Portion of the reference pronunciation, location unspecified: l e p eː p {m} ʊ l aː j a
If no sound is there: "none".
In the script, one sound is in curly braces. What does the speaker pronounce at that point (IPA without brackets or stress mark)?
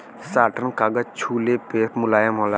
m